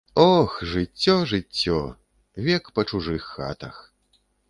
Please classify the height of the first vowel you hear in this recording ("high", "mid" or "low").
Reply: mid